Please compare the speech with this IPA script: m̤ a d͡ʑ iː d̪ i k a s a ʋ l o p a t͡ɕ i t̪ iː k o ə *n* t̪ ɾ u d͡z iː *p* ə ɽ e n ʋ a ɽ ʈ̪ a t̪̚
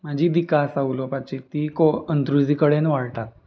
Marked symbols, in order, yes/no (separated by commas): yes, no